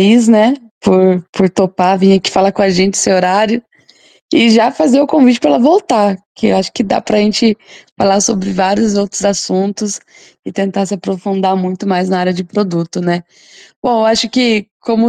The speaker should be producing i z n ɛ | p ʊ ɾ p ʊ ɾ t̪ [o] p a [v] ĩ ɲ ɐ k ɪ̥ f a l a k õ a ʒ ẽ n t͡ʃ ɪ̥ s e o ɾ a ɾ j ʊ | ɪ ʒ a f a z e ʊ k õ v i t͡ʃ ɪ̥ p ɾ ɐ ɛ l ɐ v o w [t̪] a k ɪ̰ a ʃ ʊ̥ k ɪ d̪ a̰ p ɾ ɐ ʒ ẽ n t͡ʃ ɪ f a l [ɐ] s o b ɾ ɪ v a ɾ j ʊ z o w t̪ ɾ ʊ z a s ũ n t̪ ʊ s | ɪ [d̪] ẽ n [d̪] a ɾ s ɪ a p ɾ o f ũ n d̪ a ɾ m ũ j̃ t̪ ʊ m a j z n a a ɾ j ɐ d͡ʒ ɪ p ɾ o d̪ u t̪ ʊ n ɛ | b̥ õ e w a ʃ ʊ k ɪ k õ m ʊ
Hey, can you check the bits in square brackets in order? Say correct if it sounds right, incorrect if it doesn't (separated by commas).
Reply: correct, correct, correct, incorrect, incorrect, incorrect